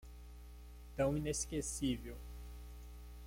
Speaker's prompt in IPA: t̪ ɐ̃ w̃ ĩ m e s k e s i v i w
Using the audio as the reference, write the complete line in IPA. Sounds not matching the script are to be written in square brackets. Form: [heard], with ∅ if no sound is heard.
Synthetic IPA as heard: t̪ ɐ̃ w̃ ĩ [n] e s k e s i v [e] w